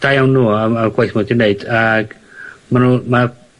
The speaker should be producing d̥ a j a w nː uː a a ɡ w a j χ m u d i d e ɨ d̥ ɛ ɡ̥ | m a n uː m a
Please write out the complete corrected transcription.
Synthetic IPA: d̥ a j a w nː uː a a ɡ w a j θ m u d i n e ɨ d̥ a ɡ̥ | m a n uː m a